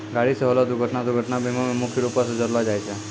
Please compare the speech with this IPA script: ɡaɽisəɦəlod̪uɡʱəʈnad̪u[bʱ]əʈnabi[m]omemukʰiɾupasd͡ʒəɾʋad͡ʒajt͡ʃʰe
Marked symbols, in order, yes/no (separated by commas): no, yes